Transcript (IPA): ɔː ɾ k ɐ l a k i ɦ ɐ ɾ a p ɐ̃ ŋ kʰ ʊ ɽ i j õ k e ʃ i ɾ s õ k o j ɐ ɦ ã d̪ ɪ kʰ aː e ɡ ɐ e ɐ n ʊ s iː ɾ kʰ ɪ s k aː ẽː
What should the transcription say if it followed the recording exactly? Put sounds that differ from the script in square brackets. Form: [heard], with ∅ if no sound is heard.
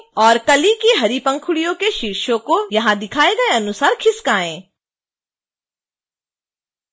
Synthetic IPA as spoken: ɔː ɾ k ɐ l [i] k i ɦ ɐ ɾ [i] p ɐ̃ ŋ kʰ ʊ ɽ i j õ k e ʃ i ɾ [ʃ] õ k o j ɐ ɦ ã d̪ ɪ kʰ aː e ɡ ɐ e ɐ n ʊ s [aː] ɾ kʰ ɪ s k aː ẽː